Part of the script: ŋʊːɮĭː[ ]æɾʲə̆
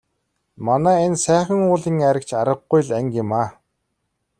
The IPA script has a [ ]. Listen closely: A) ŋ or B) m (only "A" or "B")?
A